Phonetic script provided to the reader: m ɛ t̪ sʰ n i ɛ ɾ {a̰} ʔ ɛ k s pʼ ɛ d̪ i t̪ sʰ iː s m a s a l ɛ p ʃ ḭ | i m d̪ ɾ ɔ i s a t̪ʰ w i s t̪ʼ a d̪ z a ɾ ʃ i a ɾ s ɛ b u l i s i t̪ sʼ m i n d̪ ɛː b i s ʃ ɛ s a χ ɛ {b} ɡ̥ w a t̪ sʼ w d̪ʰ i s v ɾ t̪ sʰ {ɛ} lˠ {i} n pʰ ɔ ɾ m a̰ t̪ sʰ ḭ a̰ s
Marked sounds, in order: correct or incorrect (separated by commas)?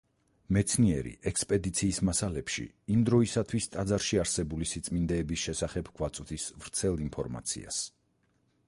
incorrect, correct, correct, correct